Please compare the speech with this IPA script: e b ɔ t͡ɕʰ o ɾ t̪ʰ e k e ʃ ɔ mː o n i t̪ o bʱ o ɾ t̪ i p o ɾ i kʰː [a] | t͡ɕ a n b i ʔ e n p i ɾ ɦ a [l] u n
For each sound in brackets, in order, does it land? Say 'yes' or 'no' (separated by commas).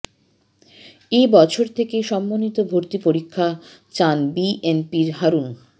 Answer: yes, no